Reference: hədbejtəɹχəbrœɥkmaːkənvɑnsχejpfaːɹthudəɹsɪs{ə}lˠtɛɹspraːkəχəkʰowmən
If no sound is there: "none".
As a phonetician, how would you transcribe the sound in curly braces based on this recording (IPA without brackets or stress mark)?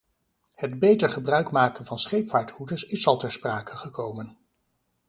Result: ɑ